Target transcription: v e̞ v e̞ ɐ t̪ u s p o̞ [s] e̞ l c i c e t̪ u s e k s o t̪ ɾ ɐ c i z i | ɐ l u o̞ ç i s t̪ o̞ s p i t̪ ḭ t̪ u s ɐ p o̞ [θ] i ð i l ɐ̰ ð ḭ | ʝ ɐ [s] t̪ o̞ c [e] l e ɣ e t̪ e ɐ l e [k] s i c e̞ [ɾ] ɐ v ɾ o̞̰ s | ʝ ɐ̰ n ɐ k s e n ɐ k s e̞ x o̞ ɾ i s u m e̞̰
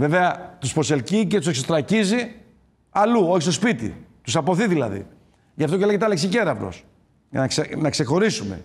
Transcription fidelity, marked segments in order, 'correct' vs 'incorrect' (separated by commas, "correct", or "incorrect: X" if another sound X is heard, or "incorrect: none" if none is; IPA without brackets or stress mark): correct, correct, incorrect: f, correct, correct, correct